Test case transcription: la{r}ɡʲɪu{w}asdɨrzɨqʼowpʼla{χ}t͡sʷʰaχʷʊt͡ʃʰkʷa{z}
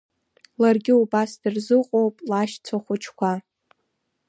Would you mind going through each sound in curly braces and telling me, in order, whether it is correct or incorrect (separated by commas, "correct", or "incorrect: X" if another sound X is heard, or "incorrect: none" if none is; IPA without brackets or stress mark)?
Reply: correct, incorrect: b, incorrect: ʃ, incorrect: none